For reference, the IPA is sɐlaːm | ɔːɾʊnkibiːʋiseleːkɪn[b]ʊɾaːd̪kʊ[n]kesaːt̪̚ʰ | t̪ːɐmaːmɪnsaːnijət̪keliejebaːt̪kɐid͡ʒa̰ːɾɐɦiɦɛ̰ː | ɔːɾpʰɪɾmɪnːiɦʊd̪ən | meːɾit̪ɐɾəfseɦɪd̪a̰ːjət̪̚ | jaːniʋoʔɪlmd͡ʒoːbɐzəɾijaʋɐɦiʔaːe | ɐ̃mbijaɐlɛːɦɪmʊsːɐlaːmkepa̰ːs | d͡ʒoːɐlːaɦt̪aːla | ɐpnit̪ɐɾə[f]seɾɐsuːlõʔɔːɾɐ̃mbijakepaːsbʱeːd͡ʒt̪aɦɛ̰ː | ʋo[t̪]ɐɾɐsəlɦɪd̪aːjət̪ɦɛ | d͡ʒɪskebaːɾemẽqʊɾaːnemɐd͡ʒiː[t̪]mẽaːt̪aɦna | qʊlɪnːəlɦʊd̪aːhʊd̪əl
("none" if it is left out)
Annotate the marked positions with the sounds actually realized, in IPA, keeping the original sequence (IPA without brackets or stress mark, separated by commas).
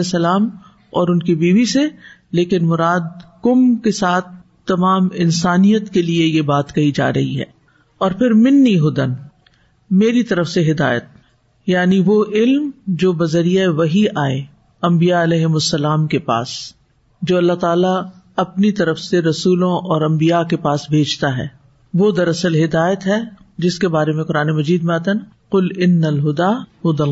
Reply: m, m, f, d̪, d̪